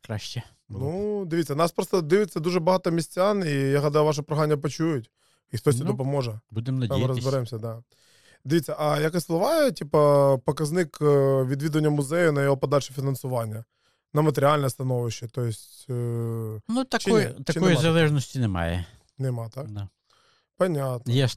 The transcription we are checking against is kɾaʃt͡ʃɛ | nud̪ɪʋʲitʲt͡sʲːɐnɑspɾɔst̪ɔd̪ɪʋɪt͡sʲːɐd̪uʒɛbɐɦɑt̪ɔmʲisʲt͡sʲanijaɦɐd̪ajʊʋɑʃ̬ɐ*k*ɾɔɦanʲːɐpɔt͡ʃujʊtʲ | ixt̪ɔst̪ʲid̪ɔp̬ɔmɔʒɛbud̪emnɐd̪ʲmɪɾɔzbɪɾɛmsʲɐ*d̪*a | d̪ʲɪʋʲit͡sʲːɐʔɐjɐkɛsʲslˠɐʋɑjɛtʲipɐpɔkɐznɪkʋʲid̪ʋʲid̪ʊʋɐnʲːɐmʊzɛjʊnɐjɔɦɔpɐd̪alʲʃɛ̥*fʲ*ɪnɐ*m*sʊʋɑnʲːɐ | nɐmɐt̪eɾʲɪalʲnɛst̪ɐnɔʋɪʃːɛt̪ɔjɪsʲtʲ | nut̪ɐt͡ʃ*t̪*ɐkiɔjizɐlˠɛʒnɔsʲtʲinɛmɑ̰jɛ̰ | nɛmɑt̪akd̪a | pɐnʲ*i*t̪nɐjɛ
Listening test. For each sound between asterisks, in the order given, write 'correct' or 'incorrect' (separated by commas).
incorrect, correct, correct, incorrect, correct, incorrect